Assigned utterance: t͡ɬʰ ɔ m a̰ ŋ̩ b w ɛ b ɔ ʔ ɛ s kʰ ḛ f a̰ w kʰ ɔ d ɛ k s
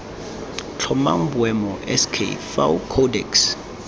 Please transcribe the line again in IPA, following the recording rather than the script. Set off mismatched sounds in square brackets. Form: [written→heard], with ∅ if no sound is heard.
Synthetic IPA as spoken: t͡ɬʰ ɔ m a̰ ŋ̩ b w ɛ [b→m] ɔ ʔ ɛ s kʰ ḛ f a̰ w kʰ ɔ d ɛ k s